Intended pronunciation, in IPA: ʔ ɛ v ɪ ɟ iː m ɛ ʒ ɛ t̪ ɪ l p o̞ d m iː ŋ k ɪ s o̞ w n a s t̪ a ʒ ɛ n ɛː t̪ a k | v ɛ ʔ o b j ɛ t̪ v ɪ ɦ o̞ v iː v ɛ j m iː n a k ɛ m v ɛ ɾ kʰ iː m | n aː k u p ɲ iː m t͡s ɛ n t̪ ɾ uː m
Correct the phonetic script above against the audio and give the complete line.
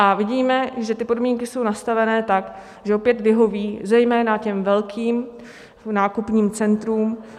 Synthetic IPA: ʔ a v ɪ ɟ iː m ɛ ʒ ɛ t̪ ɪ p o̞ d m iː ŋ k ɪ s o̞ w n a s t̪ a v ɛ n ɛː t̪ a k | ʒ ɛ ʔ o p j ɛ t̪ v ɪ ɦ o̞ v iː z ɛ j m ɛː n a c ɛ m v ɛ l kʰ iː m | n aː k u p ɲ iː m t͡s ɛ n t̪ ɾ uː m